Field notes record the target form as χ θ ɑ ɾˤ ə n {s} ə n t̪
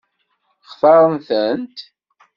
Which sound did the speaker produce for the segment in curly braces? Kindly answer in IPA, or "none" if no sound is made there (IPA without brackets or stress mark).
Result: θ